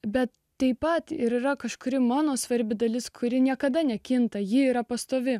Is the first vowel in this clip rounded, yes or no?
no